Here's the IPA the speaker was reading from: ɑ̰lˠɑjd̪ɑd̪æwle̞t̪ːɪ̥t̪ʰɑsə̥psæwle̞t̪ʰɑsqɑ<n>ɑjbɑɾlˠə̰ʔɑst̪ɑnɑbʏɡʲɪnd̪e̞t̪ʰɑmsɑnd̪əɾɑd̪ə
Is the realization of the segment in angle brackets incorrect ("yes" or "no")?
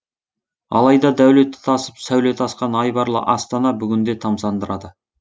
no